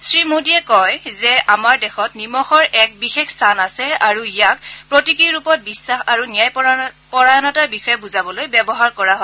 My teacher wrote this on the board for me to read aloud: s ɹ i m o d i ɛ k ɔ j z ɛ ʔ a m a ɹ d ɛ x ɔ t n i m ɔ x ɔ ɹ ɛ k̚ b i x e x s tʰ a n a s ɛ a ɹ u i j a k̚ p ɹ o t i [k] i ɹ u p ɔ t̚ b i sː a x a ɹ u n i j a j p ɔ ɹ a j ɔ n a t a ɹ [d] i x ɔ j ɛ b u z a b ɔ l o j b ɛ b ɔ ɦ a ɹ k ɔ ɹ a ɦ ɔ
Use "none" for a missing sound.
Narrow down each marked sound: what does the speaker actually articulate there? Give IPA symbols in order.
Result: k, b

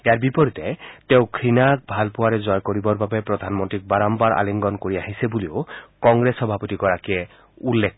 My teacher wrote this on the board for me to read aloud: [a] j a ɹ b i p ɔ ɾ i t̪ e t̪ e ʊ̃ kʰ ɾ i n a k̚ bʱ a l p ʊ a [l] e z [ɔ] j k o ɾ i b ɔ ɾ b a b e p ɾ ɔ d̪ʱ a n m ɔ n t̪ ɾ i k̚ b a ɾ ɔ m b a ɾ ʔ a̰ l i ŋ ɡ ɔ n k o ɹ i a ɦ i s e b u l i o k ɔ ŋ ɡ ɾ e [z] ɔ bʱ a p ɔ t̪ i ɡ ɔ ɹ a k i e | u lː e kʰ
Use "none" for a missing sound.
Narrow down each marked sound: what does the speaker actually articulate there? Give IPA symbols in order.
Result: e, ɾ, ɔ, s

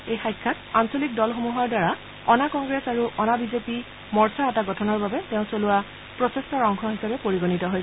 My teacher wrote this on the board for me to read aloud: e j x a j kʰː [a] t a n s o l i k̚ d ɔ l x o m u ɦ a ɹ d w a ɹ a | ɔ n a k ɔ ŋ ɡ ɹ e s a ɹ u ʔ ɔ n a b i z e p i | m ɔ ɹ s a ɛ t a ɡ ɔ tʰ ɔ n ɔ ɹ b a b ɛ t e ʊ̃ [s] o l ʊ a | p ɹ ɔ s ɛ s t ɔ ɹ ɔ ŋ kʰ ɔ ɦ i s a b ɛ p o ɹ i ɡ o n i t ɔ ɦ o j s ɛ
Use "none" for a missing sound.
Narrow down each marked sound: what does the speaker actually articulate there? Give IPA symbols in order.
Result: a, s

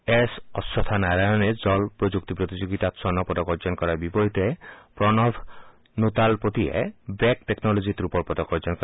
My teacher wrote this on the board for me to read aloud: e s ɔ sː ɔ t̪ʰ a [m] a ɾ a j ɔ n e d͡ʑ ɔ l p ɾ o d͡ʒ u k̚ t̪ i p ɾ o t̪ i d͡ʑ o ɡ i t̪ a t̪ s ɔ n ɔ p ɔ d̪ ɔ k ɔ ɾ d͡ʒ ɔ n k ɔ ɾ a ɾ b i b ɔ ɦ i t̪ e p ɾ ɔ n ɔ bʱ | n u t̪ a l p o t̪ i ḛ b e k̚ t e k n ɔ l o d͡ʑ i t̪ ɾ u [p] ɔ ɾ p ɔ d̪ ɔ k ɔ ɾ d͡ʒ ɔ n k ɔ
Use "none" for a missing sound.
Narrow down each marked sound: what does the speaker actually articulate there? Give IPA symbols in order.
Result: n, p

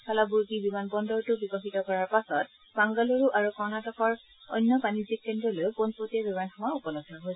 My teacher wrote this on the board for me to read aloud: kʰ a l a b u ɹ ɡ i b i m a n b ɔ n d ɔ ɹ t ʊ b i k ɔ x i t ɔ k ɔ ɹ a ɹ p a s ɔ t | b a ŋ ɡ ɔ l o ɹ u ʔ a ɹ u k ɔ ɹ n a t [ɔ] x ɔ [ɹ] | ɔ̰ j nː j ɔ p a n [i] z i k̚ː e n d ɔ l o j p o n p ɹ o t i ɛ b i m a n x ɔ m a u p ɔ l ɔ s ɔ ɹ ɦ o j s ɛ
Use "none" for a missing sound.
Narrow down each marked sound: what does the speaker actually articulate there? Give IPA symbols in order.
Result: ɔ, ɹ, i

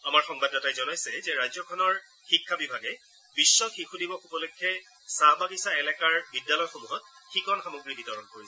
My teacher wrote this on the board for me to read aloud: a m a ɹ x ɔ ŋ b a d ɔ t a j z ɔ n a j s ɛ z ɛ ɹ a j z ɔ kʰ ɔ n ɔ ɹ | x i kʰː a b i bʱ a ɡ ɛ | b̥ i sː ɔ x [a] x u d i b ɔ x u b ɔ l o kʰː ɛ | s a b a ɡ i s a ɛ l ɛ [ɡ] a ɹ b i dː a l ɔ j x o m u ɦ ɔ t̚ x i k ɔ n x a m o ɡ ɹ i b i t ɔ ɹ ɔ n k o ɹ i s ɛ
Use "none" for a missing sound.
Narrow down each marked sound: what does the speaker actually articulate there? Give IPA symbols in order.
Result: i, k

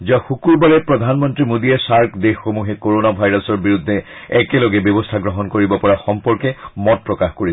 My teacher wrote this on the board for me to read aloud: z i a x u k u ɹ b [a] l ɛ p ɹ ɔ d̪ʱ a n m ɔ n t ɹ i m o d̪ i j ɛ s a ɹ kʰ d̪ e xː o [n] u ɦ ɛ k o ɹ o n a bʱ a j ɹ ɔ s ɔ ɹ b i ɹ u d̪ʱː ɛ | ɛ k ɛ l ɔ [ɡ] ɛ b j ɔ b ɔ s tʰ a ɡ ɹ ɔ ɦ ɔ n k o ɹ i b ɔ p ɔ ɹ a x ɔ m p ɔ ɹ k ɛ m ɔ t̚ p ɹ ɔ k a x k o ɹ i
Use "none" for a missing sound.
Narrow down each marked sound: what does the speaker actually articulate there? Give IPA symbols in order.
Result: a, m, ɡ

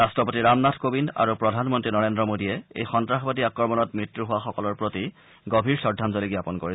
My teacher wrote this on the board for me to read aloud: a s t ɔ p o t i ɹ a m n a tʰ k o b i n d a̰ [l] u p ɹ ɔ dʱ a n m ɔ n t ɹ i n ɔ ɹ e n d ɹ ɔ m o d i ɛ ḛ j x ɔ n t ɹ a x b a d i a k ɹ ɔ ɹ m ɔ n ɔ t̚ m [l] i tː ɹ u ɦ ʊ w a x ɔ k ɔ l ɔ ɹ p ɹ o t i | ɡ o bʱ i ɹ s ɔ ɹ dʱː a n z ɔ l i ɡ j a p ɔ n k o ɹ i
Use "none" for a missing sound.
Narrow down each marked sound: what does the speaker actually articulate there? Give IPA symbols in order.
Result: ɹ, ɹ

